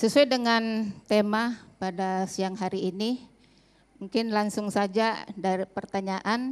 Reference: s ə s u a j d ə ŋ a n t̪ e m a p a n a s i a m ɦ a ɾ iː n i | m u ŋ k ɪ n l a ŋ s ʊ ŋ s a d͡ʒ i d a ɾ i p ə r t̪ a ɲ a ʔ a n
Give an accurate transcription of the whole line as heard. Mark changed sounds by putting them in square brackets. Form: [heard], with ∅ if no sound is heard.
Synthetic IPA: s ə s u a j d ə ŋ a n t̪ e m a p a [d] a s i a [ŋ] ɦ a ɾ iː n i | m u ŋ k ɪ n l a ŋ s ʊ ŋ s a d͡ʒ [a] d a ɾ i p ə r t̪ a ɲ a ʔ a n